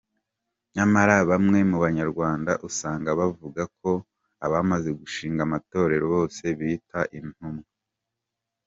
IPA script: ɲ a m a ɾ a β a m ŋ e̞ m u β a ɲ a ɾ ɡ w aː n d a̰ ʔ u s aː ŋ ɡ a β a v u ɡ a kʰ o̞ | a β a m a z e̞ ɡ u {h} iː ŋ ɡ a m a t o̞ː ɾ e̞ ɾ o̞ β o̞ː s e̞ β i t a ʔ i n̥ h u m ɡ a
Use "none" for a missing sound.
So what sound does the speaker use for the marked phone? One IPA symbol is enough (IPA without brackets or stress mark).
ʃ